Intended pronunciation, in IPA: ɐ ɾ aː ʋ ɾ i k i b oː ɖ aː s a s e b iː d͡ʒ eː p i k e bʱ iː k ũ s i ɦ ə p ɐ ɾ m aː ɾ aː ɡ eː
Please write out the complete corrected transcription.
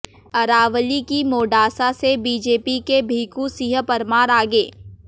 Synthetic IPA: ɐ ɾ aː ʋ l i k i m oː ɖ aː s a s e b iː d͡ʒ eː p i k e bʱ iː k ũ s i ɦ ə p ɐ ɾ m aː ɾ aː ɡ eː